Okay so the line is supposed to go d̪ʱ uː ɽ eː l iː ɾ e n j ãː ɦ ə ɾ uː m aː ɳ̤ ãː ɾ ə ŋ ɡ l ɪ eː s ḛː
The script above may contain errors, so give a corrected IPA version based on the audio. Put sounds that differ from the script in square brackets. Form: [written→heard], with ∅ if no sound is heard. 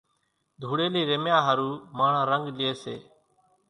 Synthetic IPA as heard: d̪ʱ uː ɽ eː l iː ɾ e [n→m] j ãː ɦ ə ɾ uː m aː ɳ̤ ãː ɾ ə ŋ ɡ l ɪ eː s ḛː